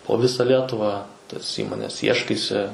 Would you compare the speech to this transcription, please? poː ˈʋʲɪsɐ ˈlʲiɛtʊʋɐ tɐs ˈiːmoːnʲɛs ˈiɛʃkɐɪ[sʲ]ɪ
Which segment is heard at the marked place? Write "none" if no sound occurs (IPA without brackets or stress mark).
sʲ